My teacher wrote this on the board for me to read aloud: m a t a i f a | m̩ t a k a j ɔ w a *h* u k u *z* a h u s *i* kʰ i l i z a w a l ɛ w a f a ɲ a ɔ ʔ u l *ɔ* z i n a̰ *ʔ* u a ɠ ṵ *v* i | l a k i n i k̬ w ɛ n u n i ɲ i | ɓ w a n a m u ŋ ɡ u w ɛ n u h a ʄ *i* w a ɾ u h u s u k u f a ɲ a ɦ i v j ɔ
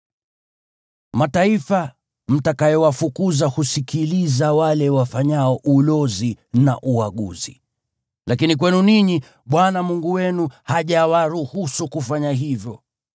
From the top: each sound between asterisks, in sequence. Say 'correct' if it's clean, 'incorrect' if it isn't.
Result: incorrect, correct, correct, correct, correct, incorrect, incorrect

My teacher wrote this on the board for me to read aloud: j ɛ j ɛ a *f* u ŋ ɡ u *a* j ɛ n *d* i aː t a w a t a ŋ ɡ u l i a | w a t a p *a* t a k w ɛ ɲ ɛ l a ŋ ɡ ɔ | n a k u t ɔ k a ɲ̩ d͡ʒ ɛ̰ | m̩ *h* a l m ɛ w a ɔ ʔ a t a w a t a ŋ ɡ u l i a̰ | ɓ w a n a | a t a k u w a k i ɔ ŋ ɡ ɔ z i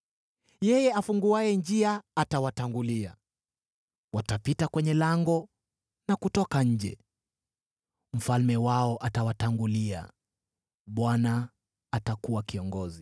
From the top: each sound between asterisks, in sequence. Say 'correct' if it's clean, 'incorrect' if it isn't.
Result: correct, correct, incorrect, incorrect, incorrect

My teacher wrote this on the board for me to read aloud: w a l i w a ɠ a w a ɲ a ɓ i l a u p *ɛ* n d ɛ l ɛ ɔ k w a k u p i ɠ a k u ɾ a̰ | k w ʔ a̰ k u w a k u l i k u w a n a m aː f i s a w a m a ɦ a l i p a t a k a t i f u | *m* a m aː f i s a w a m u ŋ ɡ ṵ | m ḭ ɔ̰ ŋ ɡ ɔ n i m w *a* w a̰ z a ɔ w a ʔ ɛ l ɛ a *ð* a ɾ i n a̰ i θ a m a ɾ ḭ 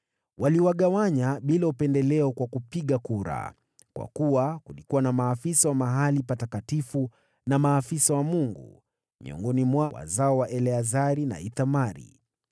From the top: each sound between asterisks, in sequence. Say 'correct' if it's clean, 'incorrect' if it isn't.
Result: correct, incorrect, correct, incorrect

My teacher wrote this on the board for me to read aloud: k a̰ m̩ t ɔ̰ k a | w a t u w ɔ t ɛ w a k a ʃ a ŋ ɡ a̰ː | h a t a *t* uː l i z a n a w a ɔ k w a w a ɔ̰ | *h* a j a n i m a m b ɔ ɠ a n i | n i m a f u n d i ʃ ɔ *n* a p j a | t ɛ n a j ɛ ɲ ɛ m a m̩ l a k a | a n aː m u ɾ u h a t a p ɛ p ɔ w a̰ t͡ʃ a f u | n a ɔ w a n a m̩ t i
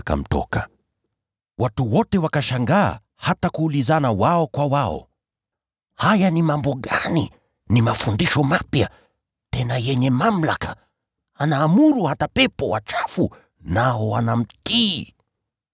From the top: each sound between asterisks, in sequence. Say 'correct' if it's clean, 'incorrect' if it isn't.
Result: incorrect, correct, incorrect

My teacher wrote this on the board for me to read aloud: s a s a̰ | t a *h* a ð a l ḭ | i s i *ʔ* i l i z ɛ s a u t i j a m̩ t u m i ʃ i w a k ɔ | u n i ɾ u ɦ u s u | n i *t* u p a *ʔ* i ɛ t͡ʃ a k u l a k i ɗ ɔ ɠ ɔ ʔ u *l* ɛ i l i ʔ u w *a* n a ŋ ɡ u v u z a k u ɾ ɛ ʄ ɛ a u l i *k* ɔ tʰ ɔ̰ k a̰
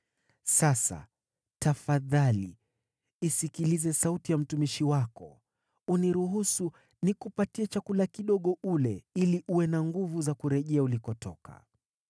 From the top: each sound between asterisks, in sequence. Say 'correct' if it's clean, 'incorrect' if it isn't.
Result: incorrect, incorrect, incorrect, incorrect, correct, incorrect, correct

